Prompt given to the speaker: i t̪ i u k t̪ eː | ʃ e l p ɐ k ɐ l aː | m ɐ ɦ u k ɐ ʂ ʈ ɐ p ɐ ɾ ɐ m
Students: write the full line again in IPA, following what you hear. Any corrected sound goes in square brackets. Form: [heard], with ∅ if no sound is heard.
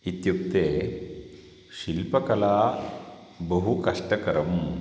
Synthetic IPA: i t̪ [j] u k t̪ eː | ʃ [i] l p ɐ k ɐ l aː | [b] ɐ ɦ u k ɐ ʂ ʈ ɐ [k] ɐ ɾ ɐ m